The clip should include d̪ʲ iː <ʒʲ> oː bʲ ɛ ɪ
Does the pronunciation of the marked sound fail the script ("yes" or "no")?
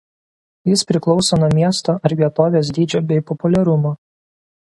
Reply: yes